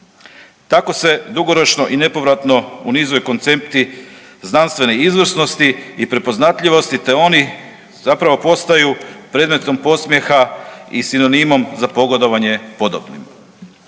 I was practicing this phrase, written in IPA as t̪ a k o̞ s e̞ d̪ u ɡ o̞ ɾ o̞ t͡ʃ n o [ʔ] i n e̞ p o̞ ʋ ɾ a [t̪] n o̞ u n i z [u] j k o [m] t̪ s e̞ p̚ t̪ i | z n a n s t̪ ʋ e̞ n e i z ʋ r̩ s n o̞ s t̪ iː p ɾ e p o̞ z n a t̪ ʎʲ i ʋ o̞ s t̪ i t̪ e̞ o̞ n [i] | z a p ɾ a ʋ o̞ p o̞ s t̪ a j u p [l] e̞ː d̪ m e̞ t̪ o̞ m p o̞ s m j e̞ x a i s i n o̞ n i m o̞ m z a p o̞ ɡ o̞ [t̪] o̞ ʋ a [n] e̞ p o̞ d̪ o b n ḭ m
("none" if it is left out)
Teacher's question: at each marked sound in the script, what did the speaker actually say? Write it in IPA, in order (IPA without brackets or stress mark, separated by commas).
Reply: ʔ, t̪, o, n, i, ɾ, d̪, ɲ